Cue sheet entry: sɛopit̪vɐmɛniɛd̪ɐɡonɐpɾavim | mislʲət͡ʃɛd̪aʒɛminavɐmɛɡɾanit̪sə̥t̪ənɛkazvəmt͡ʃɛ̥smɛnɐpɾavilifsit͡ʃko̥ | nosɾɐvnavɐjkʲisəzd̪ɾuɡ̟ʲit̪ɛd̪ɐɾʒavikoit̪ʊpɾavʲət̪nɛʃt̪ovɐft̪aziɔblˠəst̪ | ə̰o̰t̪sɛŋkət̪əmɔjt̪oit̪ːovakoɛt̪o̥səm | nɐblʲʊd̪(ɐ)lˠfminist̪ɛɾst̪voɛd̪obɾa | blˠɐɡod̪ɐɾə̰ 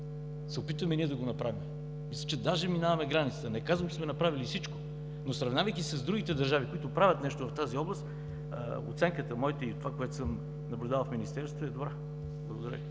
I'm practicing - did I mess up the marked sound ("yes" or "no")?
yes